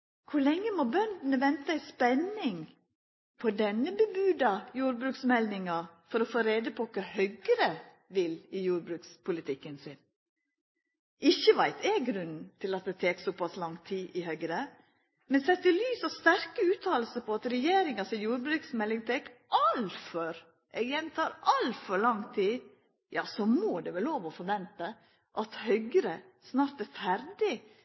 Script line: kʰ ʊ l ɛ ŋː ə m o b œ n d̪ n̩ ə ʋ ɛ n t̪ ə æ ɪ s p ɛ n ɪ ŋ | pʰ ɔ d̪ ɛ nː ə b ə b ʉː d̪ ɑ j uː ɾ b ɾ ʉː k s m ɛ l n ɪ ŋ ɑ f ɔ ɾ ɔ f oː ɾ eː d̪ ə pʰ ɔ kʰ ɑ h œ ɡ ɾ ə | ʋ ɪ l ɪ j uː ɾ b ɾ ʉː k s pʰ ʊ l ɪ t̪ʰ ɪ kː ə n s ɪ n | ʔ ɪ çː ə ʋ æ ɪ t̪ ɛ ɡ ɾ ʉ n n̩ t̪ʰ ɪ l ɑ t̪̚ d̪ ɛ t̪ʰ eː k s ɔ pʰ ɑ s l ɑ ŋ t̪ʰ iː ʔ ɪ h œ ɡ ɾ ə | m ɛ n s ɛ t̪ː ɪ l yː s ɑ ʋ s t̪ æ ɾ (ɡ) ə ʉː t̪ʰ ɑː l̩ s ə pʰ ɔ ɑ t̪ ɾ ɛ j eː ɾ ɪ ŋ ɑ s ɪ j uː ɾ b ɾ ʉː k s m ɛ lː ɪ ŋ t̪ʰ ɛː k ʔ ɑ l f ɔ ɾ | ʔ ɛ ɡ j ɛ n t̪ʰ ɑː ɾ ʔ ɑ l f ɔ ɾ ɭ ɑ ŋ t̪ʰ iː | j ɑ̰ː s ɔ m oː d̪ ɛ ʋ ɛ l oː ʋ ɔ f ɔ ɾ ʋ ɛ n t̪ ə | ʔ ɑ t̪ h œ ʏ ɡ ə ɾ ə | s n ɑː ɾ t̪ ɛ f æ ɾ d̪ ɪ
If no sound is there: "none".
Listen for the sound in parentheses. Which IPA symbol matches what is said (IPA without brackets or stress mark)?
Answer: k